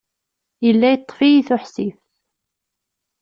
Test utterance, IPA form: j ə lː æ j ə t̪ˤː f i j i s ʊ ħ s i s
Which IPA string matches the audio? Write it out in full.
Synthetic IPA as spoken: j ə lː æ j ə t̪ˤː f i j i θ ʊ ħ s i f